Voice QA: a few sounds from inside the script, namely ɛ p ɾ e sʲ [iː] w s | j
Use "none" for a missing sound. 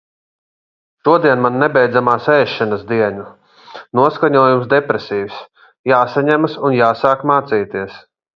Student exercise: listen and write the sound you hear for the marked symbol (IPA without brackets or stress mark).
iː